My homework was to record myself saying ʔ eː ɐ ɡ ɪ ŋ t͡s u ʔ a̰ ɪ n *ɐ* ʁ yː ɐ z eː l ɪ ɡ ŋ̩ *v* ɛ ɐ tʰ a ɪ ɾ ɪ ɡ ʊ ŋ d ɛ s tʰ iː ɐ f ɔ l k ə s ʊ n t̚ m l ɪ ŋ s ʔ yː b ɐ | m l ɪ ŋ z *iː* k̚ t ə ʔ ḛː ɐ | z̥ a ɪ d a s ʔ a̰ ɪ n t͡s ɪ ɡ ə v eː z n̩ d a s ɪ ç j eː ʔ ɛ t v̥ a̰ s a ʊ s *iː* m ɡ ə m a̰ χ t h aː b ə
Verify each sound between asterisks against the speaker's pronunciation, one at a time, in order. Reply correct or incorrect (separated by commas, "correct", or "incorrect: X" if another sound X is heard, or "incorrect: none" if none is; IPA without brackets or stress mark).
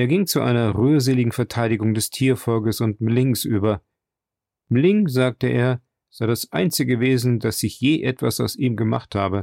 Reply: correct, incorrect: f, incorrect: aː, correct